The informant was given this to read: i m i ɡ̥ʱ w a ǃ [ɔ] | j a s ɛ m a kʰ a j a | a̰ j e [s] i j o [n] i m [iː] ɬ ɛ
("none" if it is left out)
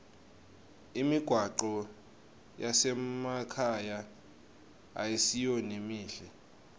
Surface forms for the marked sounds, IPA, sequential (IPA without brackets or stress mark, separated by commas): ɔ, s, n, iː